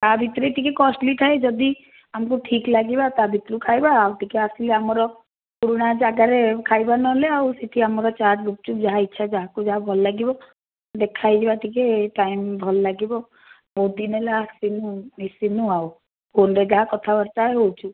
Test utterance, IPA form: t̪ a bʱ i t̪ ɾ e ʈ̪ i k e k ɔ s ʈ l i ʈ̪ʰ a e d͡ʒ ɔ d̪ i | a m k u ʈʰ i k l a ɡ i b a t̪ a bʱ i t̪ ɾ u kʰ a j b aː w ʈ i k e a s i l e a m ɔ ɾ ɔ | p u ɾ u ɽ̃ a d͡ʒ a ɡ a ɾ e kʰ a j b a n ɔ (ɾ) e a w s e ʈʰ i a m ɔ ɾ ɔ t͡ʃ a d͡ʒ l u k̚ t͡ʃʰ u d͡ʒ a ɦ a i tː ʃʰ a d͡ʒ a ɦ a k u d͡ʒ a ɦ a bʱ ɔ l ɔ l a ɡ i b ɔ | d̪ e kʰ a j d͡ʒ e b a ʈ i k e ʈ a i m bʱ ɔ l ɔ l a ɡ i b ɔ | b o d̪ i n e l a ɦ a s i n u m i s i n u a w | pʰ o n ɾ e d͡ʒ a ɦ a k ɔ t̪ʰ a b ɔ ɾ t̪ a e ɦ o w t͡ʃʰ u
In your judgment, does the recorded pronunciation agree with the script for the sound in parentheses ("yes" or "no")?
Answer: no